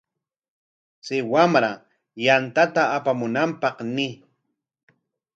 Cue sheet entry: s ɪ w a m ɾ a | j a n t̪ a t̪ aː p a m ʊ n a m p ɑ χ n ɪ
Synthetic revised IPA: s ɪ w a m ɾ a | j a n t̪ a t̪ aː p a m ʊ n a m p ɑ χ n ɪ